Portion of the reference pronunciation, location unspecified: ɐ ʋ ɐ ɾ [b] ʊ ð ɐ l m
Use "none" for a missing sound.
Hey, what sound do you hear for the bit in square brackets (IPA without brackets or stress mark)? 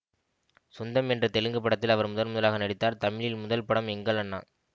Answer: m